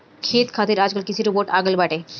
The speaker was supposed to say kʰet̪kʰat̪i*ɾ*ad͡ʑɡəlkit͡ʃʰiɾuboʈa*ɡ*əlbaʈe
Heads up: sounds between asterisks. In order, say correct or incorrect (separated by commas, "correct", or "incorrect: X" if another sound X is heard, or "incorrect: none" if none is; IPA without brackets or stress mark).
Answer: correct, correct